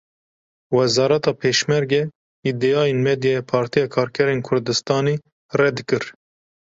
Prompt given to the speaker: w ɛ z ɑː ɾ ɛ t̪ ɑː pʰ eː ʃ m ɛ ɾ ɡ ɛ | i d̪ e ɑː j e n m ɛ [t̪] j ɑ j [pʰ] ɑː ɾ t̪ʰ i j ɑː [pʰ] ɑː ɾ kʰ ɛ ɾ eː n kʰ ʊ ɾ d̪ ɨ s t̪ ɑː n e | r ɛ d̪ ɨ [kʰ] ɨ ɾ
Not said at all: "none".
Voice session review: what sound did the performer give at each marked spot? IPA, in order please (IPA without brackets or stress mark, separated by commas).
d̪, pʰ, kʰ, k